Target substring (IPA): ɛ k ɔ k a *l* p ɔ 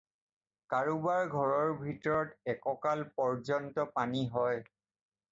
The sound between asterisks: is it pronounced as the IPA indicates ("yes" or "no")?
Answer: yes